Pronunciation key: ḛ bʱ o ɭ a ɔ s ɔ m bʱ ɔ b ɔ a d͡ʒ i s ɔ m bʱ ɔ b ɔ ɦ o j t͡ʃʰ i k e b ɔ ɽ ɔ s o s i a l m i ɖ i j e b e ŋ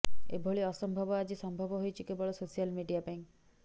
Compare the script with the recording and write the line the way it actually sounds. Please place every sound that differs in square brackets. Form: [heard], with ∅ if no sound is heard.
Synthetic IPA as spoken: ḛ bʱ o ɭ [i] ɔ s ɔ m bʱ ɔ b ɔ a d͡ʒ i s ɔ m bʱ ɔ b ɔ ɦ o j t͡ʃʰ i k e b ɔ [ɭ] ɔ s o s i a l m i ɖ i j [a] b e ŋ